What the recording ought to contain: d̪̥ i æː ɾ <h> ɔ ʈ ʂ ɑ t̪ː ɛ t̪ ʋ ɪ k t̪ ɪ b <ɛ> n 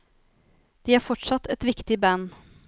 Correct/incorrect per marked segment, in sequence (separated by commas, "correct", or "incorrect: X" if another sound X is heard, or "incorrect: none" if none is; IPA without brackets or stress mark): incorrect: f, incorrect: æ